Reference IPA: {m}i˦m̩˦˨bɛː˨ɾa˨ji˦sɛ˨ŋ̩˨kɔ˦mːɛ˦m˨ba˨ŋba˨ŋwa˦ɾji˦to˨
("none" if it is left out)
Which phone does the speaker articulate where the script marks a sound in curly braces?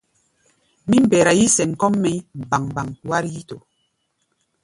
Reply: m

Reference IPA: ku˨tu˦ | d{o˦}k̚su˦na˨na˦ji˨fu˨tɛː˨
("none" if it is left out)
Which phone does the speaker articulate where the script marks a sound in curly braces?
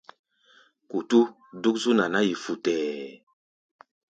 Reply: u˦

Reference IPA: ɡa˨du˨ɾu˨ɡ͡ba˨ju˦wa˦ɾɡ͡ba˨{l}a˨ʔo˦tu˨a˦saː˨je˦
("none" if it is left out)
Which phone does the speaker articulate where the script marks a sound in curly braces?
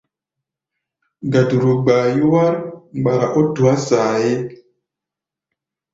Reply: ɾ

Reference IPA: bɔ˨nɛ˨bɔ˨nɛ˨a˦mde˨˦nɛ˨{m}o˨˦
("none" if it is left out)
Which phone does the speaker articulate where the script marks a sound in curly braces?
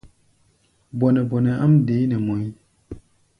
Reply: m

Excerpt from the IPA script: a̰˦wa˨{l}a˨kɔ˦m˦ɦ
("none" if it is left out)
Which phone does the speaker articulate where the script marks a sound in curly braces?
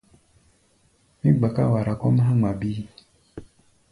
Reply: ɾ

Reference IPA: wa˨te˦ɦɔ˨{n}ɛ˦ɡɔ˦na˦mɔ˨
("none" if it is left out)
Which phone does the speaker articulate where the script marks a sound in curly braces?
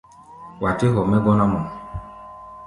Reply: m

